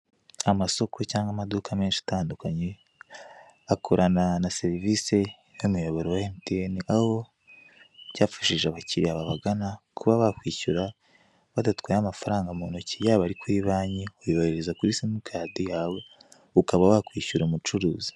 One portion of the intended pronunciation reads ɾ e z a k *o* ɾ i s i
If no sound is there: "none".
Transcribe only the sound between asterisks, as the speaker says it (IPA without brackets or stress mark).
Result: u